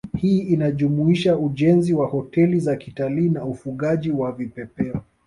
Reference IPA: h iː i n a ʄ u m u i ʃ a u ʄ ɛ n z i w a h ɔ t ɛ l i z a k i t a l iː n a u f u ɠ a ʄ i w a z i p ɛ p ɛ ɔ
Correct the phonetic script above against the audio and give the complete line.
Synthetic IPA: h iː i n a ʄ u m u i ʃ a u ʄ ɛ n z i w a h ɔ t ɛ l i z a k i t a l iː n a u f u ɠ a ʄ i w a v i p ɛ p ɛ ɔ